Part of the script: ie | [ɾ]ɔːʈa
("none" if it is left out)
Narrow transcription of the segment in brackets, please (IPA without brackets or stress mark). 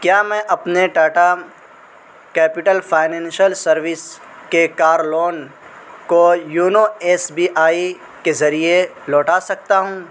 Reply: l